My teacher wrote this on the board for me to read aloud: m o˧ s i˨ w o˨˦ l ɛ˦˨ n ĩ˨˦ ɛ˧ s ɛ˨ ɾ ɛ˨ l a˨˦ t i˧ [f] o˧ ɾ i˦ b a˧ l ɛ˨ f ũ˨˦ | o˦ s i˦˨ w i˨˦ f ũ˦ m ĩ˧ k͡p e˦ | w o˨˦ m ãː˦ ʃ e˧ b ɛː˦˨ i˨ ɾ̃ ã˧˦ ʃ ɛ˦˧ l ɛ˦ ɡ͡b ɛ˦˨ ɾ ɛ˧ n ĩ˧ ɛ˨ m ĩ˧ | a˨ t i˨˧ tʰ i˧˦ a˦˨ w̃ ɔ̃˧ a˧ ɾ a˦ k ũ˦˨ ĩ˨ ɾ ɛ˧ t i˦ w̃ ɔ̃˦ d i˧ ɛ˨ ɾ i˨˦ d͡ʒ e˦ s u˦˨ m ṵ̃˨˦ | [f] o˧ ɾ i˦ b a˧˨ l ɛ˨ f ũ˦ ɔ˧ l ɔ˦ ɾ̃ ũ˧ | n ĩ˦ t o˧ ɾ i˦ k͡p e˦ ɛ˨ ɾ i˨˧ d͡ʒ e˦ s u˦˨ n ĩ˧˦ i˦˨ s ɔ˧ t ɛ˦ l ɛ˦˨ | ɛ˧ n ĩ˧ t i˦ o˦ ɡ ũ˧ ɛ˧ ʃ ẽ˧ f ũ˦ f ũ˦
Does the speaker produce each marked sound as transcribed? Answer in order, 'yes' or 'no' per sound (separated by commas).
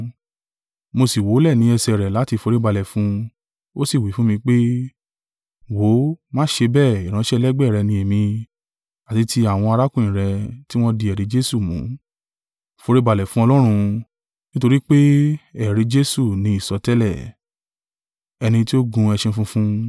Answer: yes, yes